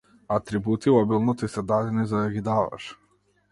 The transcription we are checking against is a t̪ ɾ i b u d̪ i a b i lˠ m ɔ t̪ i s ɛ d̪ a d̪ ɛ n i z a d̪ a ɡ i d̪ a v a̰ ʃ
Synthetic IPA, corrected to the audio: a t̪ ɾ i b u t̪ i a b i lˠ n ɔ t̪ i s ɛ d̪ a d̪ ɛ n i z a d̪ a ɡ i d̪ a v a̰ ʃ